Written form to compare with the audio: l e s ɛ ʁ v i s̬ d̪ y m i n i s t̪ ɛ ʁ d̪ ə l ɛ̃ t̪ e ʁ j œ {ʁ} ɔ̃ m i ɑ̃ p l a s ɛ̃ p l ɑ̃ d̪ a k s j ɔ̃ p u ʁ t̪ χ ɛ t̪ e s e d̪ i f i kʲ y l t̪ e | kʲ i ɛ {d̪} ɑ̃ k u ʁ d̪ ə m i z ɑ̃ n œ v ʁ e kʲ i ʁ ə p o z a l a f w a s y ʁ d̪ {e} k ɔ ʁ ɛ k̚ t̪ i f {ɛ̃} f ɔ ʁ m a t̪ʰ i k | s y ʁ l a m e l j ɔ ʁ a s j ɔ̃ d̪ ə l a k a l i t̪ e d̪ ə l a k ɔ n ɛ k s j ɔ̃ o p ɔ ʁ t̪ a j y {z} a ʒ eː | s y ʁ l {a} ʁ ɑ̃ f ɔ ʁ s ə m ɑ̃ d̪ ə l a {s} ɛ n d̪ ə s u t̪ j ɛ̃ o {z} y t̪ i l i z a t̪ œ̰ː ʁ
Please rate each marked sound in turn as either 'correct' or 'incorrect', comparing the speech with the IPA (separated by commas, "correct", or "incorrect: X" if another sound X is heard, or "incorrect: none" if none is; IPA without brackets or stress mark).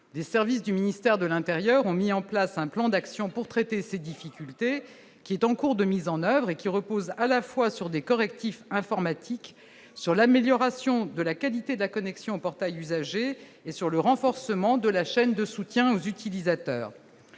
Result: correct, incorrect: t̪, correct, correct, correct, incorrect: ə, incorrect: ʃ, correct